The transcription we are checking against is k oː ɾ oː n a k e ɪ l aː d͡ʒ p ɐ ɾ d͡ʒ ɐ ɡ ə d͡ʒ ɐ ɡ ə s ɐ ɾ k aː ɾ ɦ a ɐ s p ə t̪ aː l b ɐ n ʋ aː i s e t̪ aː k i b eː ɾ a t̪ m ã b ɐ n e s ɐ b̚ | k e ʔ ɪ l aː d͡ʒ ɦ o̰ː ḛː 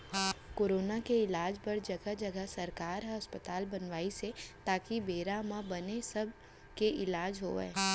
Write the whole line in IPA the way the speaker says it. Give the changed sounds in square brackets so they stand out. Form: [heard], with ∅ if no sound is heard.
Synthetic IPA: k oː ɾ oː n a k e ɪ l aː d͡ʒ p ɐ ɾ d͡ʒ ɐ ɡ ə d͡ʒ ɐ ɡ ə s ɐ ɾ k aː ɾ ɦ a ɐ s p ə t̪ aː l b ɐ n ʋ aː i s e t̪ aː k i b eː ɾ a [∅] m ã b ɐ n e s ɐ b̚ | k e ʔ ɪ l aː d͡ʒ ɦ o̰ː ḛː